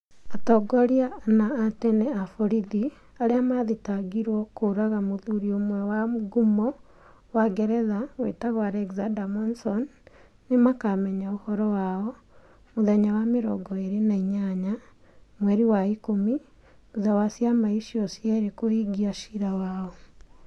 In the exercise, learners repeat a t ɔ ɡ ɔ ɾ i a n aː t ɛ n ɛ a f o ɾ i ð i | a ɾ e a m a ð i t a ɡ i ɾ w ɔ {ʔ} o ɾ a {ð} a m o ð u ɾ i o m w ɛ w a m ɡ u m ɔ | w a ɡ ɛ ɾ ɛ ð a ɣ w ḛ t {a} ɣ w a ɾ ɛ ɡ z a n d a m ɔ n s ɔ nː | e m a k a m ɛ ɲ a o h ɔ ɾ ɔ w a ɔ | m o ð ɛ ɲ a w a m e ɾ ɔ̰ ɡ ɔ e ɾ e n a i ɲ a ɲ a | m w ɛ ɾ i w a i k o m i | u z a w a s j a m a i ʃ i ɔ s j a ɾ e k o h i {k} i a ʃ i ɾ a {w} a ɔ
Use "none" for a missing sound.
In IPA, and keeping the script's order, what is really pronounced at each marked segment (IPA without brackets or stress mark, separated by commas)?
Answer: k, ɣ, a, ɡ, w